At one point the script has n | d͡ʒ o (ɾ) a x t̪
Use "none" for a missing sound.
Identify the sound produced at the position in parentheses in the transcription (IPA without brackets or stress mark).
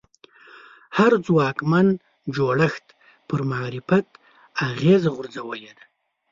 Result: ɽ